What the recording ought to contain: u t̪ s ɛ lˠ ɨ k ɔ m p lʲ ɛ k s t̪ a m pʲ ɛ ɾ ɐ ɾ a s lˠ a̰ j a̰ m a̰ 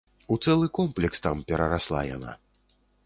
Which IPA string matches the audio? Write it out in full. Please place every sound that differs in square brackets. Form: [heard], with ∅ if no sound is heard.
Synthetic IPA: u t̪ s ɛ lˠ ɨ k ɔ m p lʲ ɛ k s t̪ a m pʲ ɛ ɾ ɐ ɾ a s lˠ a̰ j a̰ [n] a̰

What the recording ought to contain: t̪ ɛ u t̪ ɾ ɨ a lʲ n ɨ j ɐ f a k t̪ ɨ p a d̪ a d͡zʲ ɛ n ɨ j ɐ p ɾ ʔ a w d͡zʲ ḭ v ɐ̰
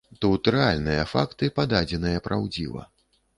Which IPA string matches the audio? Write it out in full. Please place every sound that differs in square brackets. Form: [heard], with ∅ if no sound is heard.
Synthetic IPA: t̪ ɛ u t̪ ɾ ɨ a lʲ n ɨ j ɐ f a k t̪ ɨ p a d̪ a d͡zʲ ɛ n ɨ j ɐ p ɾ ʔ a w d͡zʲ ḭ v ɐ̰

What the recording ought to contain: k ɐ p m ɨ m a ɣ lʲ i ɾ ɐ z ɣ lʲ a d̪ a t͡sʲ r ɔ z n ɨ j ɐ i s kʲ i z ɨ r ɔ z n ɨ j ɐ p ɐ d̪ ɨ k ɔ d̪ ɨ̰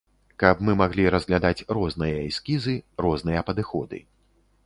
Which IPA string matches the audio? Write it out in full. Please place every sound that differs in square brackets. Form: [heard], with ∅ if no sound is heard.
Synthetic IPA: k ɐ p m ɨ m a ɣ lʲ i ɾ ɐ z ɣ lʲ a d̪ a t͡sʲ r ɔ z n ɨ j ɐ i s kʲ i z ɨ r ɔ z n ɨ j ɐ p ɐ d̪ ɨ [x] ɔ d̪ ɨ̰

